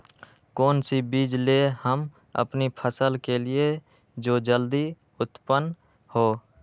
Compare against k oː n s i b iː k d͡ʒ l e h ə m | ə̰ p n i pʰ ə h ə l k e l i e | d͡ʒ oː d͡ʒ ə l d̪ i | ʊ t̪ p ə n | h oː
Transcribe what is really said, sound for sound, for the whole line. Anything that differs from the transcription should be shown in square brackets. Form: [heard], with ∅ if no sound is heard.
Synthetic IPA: k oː n s i b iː [∅] d͡ʒ l e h ə m | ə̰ p n i pʰ ə [s] ə l k e l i e | d͡ʒ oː d͡ʒ ə l d̪ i | ʊ t̪ p ə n | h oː